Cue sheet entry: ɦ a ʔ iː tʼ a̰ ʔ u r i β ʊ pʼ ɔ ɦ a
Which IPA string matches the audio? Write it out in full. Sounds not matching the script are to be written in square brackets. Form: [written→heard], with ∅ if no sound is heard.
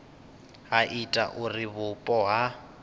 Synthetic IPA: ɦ a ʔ [iː→i] tʼ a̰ ʔ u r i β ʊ pʼ ɔ ɦ a